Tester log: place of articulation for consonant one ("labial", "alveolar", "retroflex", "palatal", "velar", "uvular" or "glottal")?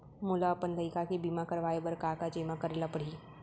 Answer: labial